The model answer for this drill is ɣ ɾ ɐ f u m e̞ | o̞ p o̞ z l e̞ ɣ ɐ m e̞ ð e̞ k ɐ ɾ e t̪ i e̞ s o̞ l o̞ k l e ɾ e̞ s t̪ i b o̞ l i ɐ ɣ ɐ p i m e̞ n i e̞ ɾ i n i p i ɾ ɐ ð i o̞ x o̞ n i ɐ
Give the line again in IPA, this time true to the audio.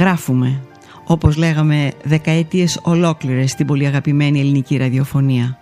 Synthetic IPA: ɣ ɾ ɐ f u m e̞ | o̞ p o̞ z l e̞ ɣ ɐ m e̞ ð e̞ k ɐ e t̪ i e̞ s o̞ l o̞ k l i ɾ e̞ s t̪ i b o̞ l i ɐ ɣ ɐ p i m e̞ n i e̞ l i n i c i ɾ ɐ ð i o̞ f o̞ n i ɐ